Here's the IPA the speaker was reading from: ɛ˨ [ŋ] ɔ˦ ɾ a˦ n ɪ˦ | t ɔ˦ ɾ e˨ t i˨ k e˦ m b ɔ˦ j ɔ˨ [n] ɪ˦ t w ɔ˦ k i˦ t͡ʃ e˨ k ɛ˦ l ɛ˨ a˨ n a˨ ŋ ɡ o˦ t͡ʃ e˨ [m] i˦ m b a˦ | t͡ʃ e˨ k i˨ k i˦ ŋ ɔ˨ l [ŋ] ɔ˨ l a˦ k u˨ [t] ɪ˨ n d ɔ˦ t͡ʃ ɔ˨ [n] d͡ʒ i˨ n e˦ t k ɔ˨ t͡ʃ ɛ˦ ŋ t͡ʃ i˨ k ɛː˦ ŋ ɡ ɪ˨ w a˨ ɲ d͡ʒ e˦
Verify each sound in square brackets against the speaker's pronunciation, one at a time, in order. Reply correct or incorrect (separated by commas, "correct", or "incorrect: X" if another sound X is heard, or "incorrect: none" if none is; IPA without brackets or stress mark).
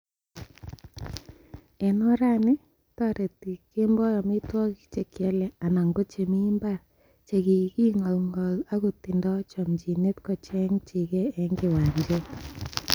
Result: incorrect: n, incorrect: m, correct, correct, correct, incorrect: m